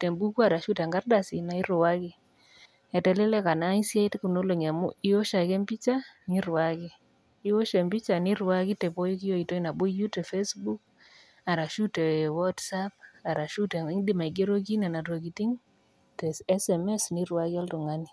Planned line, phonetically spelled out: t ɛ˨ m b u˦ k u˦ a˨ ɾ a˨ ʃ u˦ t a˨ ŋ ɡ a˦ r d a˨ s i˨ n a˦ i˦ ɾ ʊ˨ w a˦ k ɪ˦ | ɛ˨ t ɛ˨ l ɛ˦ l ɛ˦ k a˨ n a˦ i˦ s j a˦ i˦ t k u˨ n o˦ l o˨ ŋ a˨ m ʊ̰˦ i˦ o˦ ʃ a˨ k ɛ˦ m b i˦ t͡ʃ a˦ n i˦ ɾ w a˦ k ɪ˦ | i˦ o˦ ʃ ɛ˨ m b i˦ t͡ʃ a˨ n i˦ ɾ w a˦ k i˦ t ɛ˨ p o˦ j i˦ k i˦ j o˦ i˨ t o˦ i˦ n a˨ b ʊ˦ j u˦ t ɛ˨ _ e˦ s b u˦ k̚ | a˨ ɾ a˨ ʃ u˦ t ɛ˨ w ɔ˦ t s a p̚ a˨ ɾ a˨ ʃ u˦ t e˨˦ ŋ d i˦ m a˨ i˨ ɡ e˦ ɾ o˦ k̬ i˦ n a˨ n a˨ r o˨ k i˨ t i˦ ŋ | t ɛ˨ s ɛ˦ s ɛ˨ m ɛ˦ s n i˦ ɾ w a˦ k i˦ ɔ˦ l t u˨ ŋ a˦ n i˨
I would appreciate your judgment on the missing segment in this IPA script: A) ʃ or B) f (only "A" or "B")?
B